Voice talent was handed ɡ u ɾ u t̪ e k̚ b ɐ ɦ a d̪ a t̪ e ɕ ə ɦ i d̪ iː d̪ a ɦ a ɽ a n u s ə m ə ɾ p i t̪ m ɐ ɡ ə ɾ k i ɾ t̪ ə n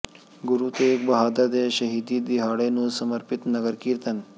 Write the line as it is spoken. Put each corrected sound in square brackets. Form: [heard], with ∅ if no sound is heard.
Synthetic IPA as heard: ɡ u ɾ u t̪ e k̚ b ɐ ɦ a d̪ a [d̪] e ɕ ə ɦ i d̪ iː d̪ [i] ɦ a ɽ [e] n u s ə m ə ɾ p i t̪ [n] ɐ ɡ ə ɾ k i ɾ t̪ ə n